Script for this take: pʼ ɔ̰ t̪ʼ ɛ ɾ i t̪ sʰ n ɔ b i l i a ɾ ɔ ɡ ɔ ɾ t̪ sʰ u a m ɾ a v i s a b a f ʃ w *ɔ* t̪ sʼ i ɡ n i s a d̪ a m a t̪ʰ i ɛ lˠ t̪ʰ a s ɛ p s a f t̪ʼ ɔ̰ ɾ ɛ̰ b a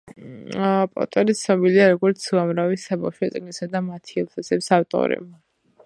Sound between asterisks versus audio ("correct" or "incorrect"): correct